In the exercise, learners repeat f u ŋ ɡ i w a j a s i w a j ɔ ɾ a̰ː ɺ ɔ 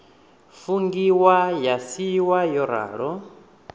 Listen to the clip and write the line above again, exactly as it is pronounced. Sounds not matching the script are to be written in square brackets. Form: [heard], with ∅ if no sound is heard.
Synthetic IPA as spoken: f u ŋ ɡ i w a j a s i w a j ɔ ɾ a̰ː ɺ ɔ